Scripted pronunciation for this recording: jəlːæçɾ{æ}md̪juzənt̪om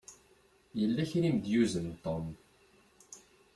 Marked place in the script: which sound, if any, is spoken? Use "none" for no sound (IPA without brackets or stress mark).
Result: i